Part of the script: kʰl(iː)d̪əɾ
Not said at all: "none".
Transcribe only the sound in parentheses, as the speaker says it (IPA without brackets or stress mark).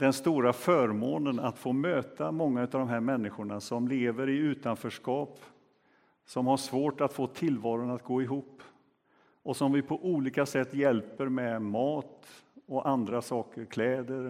ɛː